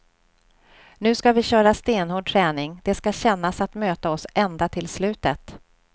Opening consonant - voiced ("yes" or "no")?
yes